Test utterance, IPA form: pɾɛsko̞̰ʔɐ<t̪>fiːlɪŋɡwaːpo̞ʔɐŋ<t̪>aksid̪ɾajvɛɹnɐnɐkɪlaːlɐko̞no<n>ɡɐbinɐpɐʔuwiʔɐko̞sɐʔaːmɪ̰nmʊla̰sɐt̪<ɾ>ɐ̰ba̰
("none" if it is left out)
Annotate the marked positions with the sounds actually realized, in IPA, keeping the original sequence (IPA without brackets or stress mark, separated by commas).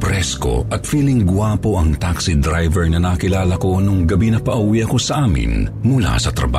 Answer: t̪, t̪, ŋ, ɾ